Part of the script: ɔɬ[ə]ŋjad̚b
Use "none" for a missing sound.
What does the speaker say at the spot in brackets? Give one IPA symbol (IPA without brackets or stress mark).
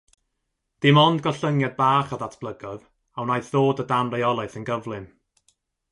ə